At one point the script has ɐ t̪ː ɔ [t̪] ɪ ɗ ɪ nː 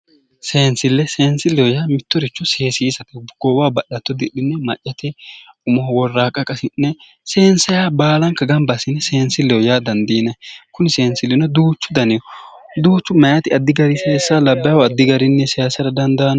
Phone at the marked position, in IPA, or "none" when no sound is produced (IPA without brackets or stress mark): d̪